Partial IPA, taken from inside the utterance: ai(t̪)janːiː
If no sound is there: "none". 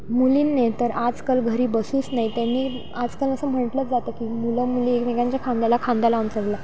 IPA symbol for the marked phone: t̪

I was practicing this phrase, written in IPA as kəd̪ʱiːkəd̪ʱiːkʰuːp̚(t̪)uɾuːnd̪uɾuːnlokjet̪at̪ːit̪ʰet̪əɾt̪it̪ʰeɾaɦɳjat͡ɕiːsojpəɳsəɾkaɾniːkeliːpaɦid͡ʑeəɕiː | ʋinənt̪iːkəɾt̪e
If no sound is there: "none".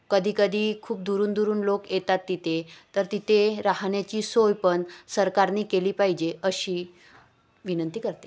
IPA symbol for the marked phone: d̪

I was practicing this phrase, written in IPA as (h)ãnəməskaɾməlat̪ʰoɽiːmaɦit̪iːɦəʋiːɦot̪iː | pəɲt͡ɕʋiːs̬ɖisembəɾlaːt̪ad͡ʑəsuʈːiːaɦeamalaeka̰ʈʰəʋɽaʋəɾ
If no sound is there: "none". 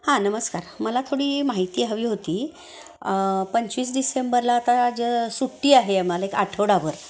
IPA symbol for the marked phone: h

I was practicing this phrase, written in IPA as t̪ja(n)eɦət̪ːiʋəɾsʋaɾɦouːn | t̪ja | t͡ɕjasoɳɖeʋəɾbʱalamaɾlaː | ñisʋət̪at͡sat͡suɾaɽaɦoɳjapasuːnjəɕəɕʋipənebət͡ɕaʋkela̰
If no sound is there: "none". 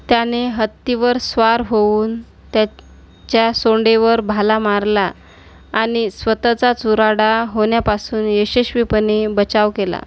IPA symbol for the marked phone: n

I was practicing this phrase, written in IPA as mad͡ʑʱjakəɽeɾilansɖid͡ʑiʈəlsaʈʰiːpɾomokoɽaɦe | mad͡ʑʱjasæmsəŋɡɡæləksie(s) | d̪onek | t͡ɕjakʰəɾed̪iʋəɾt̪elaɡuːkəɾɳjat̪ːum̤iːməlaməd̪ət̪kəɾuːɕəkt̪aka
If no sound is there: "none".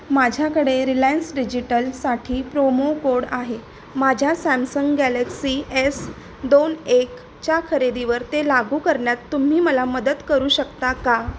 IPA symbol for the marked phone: s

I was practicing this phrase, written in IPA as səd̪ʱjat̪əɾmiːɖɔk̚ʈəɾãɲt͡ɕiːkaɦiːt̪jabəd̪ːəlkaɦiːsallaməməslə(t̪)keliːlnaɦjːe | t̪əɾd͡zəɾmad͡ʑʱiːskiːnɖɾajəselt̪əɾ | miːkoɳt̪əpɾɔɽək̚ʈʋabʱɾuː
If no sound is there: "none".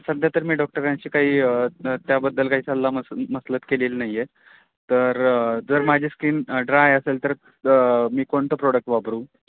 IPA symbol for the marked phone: t̪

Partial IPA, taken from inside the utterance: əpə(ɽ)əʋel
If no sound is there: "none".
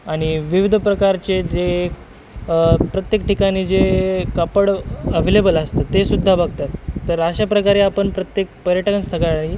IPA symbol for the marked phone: ɽ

